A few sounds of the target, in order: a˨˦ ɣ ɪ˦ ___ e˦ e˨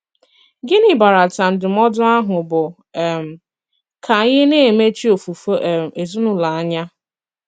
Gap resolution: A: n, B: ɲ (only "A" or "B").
A